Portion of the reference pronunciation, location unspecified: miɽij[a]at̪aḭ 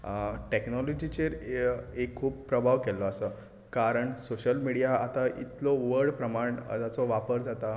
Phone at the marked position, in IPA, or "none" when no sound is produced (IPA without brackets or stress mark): a